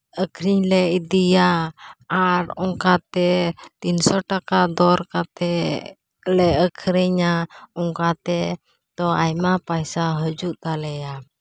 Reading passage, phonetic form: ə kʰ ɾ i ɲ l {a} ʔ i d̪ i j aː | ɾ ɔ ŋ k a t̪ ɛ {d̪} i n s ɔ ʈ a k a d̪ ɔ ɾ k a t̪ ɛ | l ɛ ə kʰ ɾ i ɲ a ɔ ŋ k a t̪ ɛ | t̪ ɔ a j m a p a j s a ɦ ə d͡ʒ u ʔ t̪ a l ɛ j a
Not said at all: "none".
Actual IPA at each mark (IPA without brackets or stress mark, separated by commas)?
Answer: ɛ, t̪